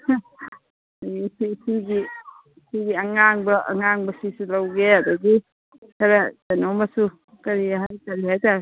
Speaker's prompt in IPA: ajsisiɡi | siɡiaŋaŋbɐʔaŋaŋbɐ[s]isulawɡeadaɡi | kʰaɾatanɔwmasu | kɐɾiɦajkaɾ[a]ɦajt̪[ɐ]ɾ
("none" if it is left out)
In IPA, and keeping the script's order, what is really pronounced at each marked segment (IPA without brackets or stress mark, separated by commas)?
s, i, a